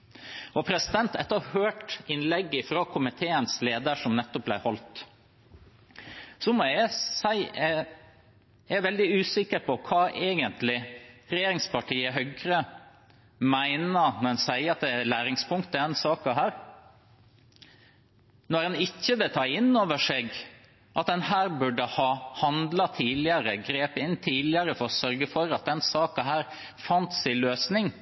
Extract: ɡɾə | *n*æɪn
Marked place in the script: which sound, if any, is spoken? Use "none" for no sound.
m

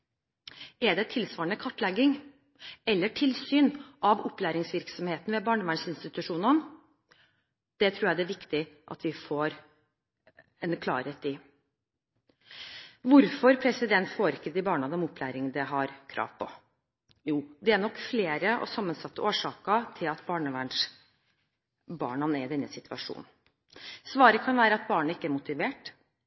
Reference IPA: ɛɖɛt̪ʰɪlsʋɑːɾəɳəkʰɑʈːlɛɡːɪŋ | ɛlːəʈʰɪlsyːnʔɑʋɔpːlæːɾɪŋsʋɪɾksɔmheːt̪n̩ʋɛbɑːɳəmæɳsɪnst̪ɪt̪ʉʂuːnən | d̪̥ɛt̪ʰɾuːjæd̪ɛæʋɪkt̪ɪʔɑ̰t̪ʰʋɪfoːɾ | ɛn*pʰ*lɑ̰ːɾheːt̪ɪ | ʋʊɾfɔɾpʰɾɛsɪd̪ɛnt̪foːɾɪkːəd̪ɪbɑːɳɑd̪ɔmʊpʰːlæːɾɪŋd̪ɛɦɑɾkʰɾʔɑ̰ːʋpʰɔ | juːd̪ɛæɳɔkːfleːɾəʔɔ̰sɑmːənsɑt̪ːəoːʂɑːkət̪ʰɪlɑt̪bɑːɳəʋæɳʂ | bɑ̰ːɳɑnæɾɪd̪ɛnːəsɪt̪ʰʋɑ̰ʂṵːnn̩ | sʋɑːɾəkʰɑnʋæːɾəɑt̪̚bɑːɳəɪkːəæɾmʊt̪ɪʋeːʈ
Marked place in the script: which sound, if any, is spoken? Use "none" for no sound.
kʰ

